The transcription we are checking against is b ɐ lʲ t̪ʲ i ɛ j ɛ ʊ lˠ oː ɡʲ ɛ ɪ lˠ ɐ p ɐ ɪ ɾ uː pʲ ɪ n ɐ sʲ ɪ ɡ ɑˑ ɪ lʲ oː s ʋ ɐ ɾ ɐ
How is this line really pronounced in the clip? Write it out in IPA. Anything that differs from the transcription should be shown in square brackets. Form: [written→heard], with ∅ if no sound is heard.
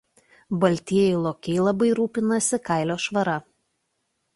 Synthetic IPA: b ɐ lʲ t̪ʲ i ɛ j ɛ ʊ lˠ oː [ɡʲ→kʲ] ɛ ɪ lˠ ɐ [p→b] ɐ ɪ ɾ uː pʲ ɪ n ɐ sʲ ɪ [ɡ→k] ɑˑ ɪ lʲ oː [s→ʃ] ʋ ɐ ɾ ɐ